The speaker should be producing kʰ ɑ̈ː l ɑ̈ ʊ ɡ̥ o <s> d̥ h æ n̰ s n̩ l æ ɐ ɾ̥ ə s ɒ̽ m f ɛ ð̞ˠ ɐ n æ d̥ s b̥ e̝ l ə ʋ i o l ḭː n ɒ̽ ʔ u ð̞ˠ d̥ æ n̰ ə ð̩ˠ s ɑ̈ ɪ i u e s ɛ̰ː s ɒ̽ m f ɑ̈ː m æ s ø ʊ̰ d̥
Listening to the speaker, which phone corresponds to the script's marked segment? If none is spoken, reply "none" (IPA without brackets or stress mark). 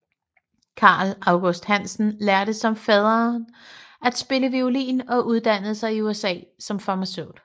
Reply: s